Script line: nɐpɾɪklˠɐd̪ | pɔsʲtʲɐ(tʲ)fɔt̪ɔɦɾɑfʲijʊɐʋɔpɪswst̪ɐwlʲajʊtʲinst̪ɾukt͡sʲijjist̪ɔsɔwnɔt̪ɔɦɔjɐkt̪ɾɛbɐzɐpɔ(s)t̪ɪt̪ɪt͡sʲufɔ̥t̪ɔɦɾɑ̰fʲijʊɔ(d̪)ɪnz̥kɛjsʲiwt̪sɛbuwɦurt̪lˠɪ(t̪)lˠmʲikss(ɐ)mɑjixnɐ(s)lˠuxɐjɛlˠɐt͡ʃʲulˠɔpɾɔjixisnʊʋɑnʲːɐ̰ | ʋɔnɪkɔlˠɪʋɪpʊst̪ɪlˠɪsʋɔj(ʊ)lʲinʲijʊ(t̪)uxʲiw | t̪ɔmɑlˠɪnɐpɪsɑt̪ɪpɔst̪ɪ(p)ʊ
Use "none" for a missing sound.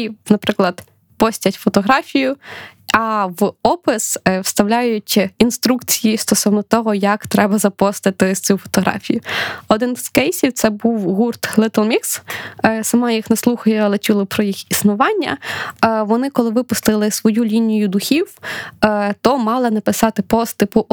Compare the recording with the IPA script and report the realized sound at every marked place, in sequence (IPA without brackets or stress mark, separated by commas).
tʲ, s, d̪, t̪, ɐ, s, u, d̪, p